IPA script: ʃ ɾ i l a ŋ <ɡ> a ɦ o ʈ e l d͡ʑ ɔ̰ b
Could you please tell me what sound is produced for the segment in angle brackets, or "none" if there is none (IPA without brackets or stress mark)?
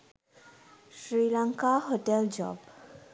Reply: k